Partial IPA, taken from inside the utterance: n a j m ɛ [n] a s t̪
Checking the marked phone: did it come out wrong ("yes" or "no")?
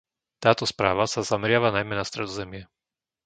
no